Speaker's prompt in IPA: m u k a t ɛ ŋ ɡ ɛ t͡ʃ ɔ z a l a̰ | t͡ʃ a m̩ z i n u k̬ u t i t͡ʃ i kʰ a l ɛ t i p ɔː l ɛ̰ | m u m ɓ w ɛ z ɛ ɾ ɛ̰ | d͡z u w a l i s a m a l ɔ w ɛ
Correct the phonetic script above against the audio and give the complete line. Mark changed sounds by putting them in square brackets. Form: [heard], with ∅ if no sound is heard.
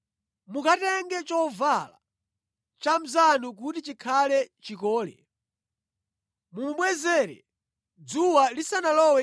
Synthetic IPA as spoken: m u k a t ɛ ŋ ɡ ɛ t͡ʃ ɔ [v] a l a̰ | t͡ʃ a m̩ z [a] n u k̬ u t i t͡ʃ i kʰ a l ɛ [t͡ʃ] i [k] ɔː l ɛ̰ | m u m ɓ w ɛ z ɛ ɾ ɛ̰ | d͡z u w a l i s a [n] a l ɔ w ɛ